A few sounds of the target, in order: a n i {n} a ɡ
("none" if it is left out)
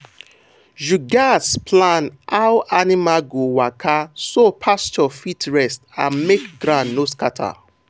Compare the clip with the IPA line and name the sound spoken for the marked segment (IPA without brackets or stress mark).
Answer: m